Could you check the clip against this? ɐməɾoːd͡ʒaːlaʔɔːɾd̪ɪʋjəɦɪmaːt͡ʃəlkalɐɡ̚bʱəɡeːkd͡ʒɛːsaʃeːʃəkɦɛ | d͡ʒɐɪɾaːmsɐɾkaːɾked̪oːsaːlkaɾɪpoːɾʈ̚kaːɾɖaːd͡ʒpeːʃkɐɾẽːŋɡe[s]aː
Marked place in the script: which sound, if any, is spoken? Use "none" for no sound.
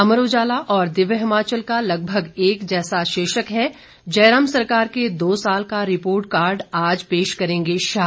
ʃ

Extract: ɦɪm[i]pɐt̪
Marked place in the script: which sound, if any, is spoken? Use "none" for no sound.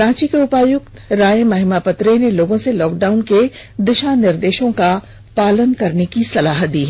a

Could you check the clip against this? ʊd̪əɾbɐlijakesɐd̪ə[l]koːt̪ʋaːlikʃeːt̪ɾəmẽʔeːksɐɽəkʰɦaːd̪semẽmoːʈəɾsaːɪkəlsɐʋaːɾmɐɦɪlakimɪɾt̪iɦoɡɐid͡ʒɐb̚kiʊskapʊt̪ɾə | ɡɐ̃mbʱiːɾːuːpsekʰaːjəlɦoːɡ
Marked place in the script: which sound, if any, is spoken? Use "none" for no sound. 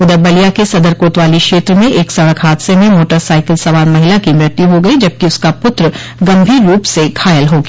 ɾ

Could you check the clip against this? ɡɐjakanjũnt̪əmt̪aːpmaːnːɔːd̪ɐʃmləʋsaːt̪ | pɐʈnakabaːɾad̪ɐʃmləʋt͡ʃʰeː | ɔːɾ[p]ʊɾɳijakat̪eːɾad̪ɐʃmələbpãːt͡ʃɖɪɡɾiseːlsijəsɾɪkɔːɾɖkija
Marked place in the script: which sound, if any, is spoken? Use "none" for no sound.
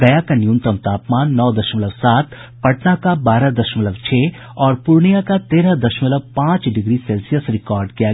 p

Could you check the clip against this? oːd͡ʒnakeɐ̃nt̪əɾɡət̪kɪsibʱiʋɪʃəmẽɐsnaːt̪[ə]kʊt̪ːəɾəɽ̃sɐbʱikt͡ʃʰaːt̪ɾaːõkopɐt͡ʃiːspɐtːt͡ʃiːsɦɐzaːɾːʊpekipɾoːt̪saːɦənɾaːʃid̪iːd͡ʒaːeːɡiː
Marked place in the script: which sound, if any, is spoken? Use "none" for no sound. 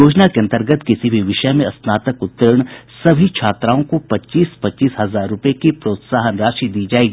ə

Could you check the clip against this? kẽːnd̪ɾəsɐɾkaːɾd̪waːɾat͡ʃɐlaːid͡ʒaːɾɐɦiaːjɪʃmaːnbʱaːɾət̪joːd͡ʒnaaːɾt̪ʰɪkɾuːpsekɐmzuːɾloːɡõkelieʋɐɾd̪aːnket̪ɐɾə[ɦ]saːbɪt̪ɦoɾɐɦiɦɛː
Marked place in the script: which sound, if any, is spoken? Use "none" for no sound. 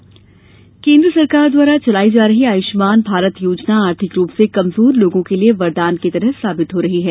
ɦ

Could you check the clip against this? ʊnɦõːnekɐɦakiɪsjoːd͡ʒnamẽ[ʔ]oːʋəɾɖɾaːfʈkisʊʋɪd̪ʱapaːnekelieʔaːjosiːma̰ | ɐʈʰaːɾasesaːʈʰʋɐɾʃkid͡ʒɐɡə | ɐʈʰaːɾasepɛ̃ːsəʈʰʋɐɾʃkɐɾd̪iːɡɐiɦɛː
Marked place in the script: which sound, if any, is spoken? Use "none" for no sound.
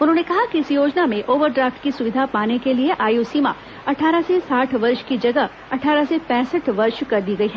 ʔ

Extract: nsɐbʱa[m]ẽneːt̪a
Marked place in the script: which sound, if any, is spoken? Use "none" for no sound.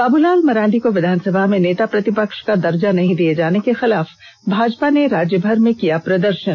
m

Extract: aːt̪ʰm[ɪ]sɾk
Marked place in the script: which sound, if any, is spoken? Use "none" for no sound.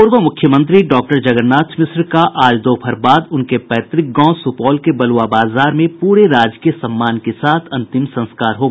ɪ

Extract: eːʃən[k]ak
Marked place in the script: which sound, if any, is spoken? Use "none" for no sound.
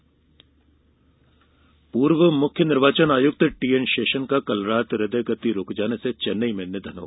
k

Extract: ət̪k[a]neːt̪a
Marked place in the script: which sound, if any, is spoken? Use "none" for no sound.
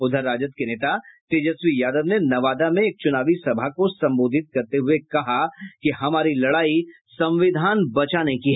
e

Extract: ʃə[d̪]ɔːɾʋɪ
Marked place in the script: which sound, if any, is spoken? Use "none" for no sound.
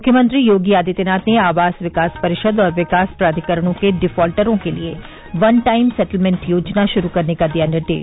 d̪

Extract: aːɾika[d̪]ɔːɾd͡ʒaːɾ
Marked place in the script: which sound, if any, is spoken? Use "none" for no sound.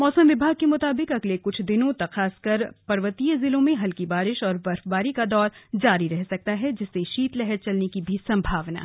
d̪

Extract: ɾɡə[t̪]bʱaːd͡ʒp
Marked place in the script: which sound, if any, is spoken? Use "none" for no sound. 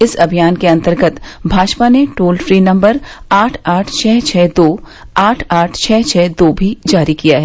t̪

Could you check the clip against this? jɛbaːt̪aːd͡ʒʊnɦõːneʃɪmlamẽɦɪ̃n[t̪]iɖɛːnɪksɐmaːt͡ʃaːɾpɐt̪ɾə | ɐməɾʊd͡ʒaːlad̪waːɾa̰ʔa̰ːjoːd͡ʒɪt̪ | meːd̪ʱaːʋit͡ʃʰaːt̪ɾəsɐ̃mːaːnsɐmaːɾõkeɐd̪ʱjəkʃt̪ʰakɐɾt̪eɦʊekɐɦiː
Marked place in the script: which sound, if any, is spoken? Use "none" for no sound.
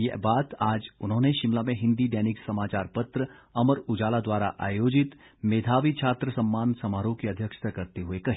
d̪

